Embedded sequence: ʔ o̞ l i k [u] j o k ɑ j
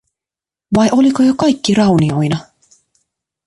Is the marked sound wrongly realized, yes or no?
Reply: yes